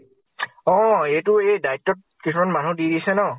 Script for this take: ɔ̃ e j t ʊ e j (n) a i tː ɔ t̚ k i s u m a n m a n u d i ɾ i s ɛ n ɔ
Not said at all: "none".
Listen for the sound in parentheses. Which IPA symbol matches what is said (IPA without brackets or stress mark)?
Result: d